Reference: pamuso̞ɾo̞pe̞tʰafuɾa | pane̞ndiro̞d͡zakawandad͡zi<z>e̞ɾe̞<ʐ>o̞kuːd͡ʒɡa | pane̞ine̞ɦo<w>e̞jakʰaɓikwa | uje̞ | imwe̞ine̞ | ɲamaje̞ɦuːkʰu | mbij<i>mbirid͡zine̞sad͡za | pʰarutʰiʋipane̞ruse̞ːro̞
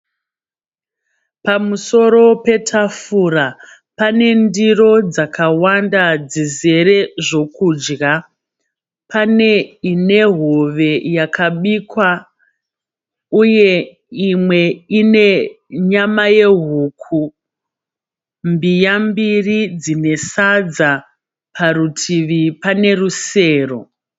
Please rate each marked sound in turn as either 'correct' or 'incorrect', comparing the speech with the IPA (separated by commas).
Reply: correct, correct, incorrect, incorrect